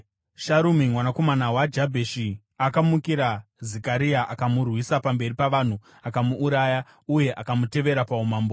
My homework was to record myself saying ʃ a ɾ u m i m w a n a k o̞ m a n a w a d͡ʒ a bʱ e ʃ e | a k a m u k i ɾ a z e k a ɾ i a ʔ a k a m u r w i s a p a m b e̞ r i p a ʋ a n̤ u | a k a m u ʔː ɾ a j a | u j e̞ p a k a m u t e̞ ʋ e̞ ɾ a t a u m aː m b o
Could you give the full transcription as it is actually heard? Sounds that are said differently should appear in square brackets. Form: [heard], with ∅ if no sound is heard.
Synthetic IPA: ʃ a ɾ u m i m w a n a k o̞ m a n a w a d͡ʒ a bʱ e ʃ [i] | a k a m u k i ɾ a z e k a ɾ i a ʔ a k a m u r w i s a p a m b e̞ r i p a ʋ a n̤ u | a k a m u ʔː ɾ a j a | u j e̞ [ʔ] a k a m u t e̞ ʋ e̞ ɾ a [p] a u m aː m b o